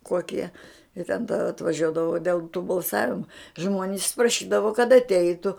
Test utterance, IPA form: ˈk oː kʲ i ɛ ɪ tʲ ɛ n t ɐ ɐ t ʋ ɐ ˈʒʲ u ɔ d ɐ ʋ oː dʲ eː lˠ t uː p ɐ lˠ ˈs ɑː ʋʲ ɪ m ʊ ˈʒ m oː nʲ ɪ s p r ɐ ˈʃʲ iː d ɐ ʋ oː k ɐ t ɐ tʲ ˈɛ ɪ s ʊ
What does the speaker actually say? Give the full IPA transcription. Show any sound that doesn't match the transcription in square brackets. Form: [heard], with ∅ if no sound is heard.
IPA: ˈk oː kʲ i ɛ ɪ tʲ ɛ n t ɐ ɐ t ʋ ɐ ˈʒʲ u ɔ d ɐ ʋ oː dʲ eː lˠ t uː [b] ɐ lˠ ˈs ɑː ʋʲ ɪ m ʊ ˈʒ m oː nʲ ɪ s p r ɐ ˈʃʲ iː d ɐ ʋ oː k ɐ t ɐ tʲ ˈɛ ɪ [t] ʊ